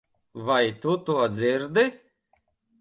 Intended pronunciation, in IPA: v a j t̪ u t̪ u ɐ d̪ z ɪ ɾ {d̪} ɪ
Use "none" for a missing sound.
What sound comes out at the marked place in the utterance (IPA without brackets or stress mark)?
d̪